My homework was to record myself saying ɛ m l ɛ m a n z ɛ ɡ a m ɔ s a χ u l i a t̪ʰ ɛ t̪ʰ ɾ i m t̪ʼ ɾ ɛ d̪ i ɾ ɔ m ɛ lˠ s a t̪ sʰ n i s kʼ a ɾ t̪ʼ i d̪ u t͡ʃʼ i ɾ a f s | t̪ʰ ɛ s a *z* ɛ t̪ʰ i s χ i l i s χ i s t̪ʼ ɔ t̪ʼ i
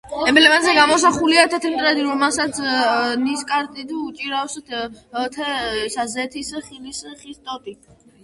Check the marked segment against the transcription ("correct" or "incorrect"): correct